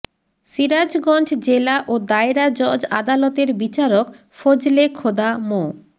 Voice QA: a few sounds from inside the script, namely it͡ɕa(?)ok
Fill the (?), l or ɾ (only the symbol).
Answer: ɾ